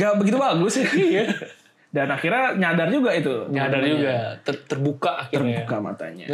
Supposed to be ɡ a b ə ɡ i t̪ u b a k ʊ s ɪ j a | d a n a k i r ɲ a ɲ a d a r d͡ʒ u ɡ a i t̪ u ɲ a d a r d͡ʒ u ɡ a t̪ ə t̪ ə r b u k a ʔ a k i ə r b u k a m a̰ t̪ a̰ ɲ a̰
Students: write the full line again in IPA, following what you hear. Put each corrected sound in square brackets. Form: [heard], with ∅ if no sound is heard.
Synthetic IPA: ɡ a b ə ɡ i t̪ u b a [ɡ] ʊ s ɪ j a | d a n a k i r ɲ a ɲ a d a r d͡ʒ u ɡ a i t̪ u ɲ a d a r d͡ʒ u ɡ a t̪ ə t̪ ə r b u k a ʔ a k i ə r b u k a m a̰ t̪ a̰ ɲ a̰